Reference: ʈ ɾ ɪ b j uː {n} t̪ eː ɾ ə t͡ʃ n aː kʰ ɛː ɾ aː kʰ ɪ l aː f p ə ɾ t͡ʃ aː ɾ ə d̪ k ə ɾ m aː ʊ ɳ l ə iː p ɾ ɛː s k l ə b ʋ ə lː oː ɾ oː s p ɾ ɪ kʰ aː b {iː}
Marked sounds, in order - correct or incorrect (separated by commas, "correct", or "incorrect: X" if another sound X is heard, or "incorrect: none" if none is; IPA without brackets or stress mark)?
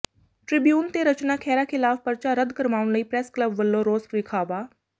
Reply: correct, incorrect: aː